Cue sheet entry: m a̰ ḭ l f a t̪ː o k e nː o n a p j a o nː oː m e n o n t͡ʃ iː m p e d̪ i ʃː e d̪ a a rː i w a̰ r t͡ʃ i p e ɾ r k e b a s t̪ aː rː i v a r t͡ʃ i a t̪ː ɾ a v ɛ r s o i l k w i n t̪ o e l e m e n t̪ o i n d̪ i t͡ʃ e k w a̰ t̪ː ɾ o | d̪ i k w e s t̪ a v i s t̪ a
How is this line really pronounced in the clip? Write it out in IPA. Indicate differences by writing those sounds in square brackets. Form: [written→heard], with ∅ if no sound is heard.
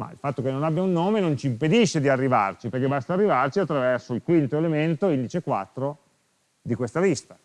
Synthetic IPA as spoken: m a̰ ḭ l f a t̪ː o k e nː o n a [p→b] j a [o→u] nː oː m e n o n t͡ʃ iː m p e d̪ i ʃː e d̪ [a→i] a rː i [w→v] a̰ r t͡ʃ i p e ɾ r k e b a s t̪ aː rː i v a r t͡ʃ i a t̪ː ɾ a v ɛ r s o i l k w i n t̪ o e l e m e n t̪ o i n d̪ i t͡ʃ e k w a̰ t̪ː ɾ o | d̪ i k w e s t̪ a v i s t̪ a

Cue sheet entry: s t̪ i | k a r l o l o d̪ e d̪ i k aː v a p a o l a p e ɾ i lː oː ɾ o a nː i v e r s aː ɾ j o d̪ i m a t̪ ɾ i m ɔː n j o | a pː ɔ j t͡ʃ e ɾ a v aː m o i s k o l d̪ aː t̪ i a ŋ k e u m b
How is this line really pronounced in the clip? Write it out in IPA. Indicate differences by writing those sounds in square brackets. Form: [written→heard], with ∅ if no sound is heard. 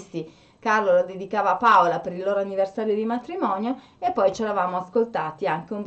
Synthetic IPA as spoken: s t̪ i | k a r l o l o d̪ e d̪ i k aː v a p a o l a p e ɾ i lː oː ɾ o a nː i v e r s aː ɾ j o d̪ i m a t̪ ɾ i m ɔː n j o | [a→e] pː ɔ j t͡ʃ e ɾ a v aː m o [i→a] s k o l [d̪→t̪] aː t̪ i a ŋ k e u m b

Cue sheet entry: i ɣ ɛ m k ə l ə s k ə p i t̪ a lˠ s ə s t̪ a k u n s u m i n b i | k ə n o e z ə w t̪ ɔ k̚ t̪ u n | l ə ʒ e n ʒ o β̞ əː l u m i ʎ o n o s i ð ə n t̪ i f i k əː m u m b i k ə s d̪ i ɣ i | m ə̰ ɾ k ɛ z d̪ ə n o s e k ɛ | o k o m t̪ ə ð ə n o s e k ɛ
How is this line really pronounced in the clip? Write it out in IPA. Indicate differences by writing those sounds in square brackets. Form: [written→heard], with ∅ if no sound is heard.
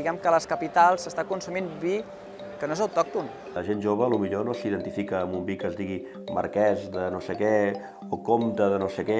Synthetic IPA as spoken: i ɣ ɛ m k ə l ə s k ə p i t̪ a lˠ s ə s t̪ a k u n s u m i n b i | k ə n o e z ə w t̪ ɔ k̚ t̪ u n | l ə ʒ e n ʒ o β̞ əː l u m i ʎ o n o s i ð ə n t̪ i f i k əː m u m b i k ə [s→z] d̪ i ɣ i | m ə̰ ɾ k ɛ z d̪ ə n o s e k ɛ | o k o m t̪ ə ð ə n o s e k ɛ

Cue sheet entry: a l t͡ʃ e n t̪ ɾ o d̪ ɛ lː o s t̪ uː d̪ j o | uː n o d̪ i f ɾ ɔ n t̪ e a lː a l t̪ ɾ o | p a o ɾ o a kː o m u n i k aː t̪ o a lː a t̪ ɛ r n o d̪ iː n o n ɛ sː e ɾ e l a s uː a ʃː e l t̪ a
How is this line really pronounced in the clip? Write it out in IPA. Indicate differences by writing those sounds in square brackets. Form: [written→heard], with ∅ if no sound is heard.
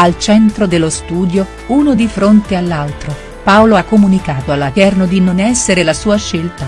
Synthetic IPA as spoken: a l t͡ʃ [e→ɛ] n t̪ ɾ o d̪ [ɛ→e] lː o s t̪ uː d̪ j o | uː n o d̪ i f ɾ [ɔ→o] n t̪ e a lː a l t̪ ɾ o | p a o [ɾ→l] o a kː o m u n i k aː t̪ o a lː a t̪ ɛ r n o d̪ [iː→i] n o n ɛ sː e ɾ e l a s uː a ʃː e l t̪ a

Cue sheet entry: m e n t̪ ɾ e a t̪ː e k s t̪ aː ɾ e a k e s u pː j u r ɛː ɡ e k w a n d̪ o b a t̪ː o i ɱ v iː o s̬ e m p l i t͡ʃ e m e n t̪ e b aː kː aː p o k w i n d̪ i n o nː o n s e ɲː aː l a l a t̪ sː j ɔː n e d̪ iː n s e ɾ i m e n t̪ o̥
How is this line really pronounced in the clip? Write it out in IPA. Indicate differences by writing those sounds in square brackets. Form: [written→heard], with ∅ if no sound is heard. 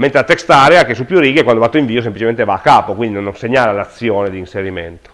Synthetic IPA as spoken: m e n t̪ ɾ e a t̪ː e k s t̪ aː ɾ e a k e s u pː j u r [ɛː→iː] ɡ e k w a n d̪ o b a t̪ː o i ɱ v iː o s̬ e m p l i t͡ʃ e m e n t̪ e [b→v] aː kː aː p o k w i n d̪ i n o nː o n s e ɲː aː l a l a t̪ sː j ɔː n e d̪ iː n s e ɾ i m e n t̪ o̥

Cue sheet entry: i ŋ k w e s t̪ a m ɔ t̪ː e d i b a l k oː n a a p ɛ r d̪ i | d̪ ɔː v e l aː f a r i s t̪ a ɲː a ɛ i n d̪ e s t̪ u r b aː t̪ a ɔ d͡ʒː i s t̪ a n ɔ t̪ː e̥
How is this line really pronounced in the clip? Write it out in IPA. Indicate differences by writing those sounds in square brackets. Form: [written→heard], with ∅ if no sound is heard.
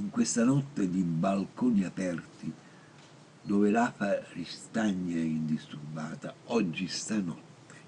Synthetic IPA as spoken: i ŋ k w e s t̪ a [m→n] ɔ t̪ː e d i b a l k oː n [a→i] a p ɛ r [d̪→t̪] i | d̪ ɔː v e l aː f a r i s t̪ a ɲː a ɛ i n d̪ [e→i] s t̪ u r b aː t̪ a ɔ d͡ʒː i s t̪ a n ɔ t̪ː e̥

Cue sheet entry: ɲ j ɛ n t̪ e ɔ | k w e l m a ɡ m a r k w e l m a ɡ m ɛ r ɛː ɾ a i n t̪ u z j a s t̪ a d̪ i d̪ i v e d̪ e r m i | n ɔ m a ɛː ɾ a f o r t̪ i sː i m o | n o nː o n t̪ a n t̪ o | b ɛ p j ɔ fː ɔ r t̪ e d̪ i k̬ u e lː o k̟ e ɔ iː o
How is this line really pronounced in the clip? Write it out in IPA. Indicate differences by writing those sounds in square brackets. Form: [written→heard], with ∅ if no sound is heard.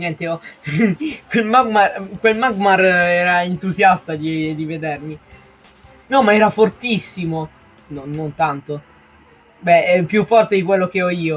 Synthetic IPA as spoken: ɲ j ɛ n t̪ e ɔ | k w e l m a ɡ m a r k w e l m a ɡ m [ɛ→a] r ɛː ɾ a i n t̪ u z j a s t̪ a d̪ i d̪ i v e d̪ e r m i | n ɔ m a ɛː ɾ a f o r t̪ i sː i m o | n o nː o n t̪ a n t̪ o | b ɛ p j [ɔ→u] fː ɔ r t̪ e d̪ i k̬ [u→w] e lː o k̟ e ɔ iː o

